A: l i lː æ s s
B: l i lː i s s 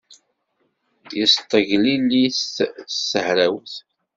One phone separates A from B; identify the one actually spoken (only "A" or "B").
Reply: B